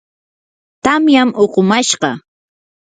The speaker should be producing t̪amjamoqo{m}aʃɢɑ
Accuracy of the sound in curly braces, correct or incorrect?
correct